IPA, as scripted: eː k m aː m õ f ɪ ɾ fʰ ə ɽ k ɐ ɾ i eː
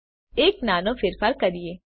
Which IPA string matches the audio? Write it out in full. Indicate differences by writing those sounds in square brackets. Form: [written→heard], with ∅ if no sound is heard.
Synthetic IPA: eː k [m→n] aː [m→n] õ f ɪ ɾ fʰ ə [ɽ→ɾ] k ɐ ɾ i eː